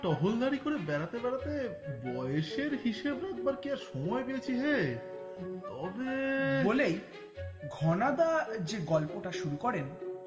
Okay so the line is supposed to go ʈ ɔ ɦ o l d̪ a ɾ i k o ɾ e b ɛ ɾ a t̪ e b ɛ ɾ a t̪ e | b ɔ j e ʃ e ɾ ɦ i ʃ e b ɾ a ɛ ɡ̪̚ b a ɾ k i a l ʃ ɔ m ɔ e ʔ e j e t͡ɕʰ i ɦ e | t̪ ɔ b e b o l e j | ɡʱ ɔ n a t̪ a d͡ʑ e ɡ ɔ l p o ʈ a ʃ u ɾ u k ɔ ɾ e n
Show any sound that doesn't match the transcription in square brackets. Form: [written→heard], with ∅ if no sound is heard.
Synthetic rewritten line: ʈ ɔ ɦ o l d̪ a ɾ i k o ɾ e b ɛ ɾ a t̪ e b ɛ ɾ a t̪ e | b ɔ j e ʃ e ɾ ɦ i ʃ e b ɾ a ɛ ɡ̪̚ b a ɾ k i a [l→ɾ] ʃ ɔ m ɔ e [ʔ→p] e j e t͡ɕʰ i ɦ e | t̪ ɔ b e b o l e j | ɡʱ ɔ n a [t̪→d̪] a d͡ʑ e ɡ ɔ l p o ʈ a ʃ u ɾ u k ɔ ɾ e n